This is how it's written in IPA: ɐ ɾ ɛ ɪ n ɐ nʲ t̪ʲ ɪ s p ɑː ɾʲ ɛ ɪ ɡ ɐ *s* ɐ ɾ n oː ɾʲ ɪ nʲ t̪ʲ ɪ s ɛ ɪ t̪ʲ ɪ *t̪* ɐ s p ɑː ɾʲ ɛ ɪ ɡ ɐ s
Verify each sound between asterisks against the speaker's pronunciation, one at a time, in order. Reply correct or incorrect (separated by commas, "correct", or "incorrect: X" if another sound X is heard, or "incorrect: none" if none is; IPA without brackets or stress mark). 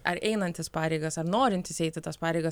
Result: correct, correct